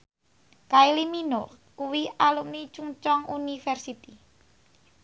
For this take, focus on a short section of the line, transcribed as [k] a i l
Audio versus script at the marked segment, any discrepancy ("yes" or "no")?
no